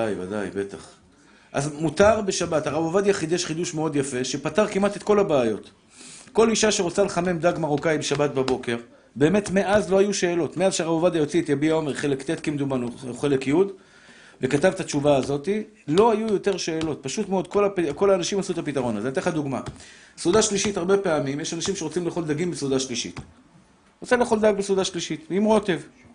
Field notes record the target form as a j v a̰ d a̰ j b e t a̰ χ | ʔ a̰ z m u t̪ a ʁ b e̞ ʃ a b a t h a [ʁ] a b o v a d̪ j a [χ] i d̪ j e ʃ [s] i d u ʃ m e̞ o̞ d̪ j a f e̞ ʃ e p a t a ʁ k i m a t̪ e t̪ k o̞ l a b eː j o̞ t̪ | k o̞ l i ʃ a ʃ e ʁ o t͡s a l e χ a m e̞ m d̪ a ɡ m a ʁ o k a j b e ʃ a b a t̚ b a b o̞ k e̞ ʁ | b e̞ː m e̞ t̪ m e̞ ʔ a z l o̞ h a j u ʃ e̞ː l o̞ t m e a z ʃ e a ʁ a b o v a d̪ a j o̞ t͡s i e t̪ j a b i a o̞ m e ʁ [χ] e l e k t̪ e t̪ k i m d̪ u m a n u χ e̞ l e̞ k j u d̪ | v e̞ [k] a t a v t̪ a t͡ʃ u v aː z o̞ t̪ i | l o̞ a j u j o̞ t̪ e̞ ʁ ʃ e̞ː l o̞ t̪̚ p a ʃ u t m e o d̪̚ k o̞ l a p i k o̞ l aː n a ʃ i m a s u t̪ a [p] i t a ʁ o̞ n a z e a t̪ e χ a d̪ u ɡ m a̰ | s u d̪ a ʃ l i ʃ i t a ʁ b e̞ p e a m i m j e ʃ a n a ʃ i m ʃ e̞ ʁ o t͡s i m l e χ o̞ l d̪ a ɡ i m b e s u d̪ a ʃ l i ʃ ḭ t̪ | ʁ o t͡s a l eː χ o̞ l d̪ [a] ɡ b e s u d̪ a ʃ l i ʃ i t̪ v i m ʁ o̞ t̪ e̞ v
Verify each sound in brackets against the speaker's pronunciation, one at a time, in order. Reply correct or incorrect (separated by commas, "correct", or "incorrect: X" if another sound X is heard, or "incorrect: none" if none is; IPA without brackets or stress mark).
correct, correct, incorrect: χ, correct, correct, correct, correct